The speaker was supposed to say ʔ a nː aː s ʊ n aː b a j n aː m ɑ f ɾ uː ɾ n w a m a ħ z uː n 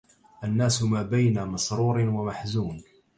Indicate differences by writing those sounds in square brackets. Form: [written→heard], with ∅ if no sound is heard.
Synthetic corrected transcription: ʔ a nː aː s ʊ [n→m] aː b a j n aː m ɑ [f→s] ɾ uː ɾ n w a m a ħ z uː n

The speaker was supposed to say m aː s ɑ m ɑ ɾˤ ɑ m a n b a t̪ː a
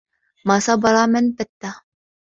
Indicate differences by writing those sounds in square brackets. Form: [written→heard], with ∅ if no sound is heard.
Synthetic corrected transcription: m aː s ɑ [m→b] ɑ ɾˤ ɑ m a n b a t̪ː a

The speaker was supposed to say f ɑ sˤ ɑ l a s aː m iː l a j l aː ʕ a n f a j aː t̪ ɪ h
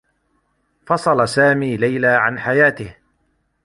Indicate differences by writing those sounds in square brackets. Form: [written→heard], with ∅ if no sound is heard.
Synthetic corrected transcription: f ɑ sˤ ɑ l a s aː m iː l a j l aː ʕ a n [f→ħ] a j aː t̪ ɪ h

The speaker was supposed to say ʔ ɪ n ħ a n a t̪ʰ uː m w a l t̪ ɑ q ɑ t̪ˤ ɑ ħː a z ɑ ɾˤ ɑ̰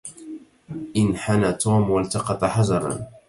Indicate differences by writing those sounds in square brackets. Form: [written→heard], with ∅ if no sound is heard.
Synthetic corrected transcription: ʔ ɪ n ħ a n a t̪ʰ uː m w a l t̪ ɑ q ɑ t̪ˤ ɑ [ħː→ħ] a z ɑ ɾˤ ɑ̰

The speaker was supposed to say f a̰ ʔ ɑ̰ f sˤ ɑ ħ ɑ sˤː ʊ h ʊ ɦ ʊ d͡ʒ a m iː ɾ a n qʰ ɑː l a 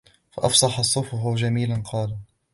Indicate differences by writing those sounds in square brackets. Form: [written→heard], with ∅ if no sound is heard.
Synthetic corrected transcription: f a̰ ʔ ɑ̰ f sˤ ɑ ħ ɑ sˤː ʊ [h→f] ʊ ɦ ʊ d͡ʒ a m iː [ɾ→l] a n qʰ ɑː l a

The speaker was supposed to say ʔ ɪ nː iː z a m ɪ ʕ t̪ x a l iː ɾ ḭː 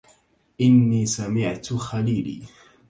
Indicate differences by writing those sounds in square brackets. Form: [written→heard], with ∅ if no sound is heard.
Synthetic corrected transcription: ʔ ɪ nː iː [z→s] a m ɪ ʕ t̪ x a l iː [ɾ→l] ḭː

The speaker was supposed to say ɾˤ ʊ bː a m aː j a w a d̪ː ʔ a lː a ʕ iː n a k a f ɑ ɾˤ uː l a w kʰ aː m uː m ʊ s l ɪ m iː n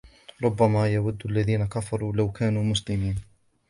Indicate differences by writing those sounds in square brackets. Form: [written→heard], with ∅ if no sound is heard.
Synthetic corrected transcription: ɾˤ ʊ bː a m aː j a w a d̪ː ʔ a lː a [ʕ→ð] iː n a k a f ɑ ɾˤ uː l a w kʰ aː [m→n] uː m ʊ s l ɪ m iː n

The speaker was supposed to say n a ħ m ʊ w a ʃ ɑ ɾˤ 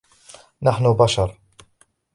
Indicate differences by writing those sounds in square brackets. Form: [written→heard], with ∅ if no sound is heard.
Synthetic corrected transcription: n a ħ [m→n] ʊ [w→b] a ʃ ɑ ɾˤ

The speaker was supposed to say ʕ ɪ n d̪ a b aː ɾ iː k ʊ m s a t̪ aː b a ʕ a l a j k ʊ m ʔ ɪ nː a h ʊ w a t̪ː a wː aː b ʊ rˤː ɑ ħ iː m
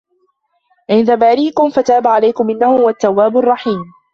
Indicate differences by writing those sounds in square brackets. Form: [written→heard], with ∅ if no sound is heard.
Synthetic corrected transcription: ʕ ɪ n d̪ a b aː ɾ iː k ʊ m [s→f] a t̪ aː b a ʕ a l a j k ʊ m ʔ ɪ nː a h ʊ w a t̪ː a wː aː b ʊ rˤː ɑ ħ iː m

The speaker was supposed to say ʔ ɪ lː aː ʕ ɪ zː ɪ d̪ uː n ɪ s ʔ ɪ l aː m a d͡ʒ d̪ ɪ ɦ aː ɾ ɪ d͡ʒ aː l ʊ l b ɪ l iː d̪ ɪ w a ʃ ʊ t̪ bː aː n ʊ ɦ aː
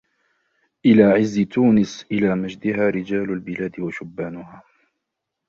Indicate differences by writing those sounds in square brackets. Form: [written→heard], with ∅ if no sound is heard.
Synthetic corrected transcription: ʔ ɪ [lː→l] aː ʕ ɪ zː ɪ [d̪→t̪] uː n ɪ s ʔ ɪ l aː m a d͡ʒ d̪ ɪ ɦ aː ɾ ɪ d͡ʒ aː l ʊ l b ɪ l [iː→aː] d̪ ɪ w a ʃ ʊ [t̪→∅] bː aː n ʊ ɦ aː

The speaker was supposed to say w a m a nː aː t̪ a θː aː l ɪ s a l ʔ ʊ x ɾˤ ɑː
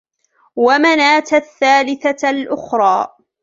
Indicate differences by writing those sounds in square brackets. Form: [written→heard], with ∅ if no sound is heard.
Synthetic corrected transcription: w a m a [nː→n] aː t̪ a θː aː l ɪ [s→θ] a l ʔ ʊ x ɾˤ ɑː

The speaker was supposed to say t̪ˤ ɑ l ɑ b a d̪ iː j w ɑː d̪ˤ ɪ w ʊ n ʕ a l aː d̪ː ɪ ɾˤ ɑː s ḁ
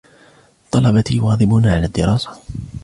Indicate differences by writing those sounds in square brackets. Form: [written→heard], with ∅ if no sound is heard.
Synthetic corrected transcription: t̪ˤ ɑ l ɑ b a [d̪→t̪] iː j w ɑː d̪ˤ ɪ [w→b] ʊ n ʕ a l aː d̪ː ɪ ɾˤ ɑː s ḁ

